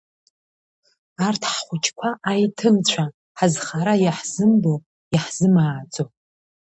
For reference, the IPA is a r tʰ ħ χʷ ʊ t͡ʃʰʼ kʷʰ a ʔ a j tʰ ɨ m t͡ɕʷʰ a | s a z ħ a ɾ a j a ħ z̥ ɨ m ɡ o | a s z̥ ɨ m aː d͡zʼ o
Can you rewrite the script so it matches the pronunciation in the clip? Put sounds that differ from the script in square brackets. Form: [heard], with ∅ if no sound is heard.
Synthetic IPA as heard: a r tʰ ħ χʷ ʊ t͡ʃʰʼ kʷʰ a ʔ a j tʰ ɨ m t͡ɕʷʰ a | [ħ] a z [χ] a ɾ a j a ħ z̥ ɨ m [b] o | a [ħ] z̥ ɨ m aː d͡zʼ o